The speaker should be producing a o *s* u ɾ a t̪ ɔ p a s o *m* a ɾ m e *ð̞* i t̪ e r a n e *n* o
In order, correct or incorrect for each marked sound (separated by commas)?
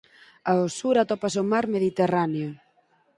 correct, correct, correct, incorrect